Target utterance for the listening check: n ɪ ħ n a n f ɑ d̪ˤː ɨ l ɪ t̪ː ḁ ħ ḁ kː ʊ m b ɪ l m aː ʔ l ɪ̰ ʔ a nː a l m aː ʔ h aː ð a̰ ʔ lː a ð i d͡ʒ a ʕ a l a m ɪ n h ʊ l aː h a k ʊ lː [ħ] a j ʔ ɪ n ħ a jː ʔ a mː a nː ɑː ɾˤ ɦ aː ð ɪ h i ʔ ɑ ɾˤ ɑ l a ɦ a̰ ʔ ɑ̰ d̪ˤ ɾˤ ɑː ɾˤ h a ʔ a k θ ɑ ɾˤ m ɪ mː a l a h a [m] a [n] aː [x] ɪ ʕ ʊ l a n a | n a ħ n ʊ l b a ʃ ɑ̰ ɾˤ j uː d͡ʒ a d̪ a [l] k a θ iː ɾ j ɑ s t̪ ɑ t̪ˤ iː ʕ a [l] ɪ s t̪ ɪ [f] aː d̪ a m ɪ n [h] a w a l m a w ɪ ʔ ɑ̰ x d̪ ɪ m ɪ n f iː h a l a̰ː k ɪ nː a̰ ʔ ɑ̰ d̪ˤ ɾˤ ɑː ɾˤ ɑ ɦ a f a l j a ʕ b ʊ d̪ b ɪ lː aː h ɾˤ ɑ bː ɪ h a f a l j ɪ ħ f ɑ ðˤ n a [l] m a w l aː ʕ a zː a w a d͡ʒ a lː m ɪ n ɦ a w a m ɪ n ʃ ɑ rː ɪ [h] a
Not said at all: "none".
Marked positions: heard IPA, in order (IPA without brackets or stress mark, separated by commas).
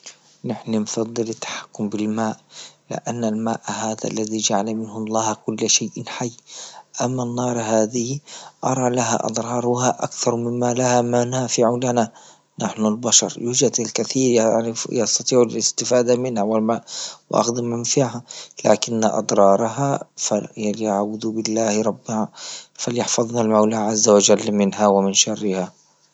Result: ʃ, m, n, f, l, l, f, h, l, h